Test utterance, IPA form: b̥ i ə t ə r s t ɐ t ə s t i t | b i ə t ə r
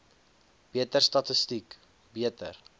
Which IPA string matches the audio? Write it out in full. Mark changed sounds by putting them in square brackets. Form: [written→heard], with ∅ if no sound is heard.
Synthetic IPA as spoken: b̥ i ə t ə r s t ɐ t ə s t i [t→k] | b i ə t ə r